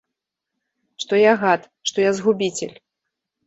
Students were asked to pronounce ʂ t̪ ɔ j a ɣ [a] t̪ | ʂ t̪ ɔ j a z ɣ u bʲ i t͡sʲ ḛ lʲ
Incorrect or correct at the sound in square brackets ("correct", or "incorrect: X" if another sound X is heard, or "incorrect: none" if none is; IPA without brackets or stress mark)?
correct